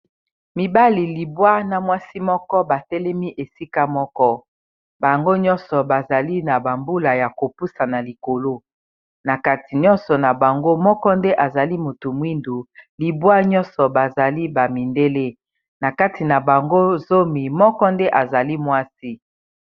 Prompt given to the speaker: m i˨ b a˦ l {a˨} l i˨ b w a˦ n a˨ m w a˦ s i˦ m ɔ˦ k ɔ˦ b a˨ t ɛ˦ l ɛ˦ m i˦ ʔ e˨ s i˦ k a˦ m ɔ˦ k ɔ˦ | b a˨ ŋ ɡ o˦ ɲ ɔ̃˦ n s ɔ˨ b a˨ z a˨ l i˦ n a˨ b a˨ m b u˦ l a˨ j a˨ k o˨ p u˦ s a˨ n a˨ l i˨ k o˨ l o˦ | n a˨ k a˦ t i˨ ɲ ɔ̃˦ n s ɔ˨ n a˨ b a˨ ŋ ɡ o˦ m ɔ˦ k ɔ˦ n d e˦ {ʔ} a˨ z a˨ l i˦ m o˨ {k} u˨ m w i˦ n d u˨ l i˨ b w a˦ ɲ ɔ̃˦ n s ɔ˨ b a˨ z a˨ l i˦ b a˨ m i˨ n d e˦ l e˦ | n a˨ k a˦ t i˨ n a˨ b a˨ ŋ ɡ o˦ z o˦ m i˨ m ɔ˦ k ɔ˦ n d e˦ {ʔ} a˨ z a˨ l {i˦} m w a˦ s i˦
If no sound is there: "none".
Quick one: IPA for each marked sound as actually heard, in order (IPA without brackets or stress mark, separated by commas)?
i˨, ʔ, t, ʔ, i˦